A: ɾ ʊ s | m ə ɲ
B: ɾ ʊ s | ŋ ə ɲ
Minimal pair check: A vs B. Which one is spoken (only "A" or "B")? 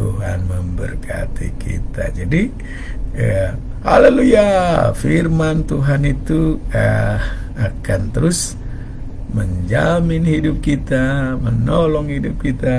A